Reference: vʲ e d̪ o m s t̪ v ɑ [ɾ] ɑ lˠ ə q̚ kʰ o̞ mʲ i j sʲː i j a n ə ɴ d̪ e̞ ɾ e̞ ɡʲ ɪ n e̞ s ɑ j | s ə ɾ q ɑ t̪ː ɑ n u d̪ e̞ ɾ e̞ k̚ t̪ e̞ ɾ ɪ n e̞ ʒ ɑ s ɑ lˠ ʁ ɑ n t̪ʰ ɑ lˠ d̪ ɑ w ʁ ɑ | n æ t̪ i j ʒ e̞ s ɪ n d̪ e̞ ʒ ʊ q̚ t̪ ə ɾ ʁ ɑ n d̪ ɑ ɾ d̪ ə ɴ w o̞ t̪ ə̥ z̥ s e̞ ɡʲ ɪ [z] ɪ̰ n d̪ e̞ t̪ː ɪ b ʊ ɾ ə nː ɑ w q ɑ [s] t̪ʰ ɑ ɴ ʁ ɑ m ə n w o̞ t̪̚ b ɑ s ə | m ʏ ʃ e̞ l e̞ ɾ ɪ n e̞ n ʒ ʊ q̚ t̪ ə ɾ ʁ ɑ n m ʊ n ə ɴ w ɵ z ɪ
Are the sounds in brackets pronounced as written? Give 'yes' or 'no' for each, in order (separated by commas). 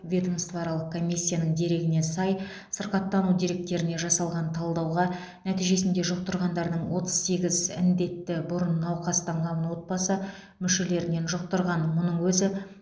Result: yes, yes, yes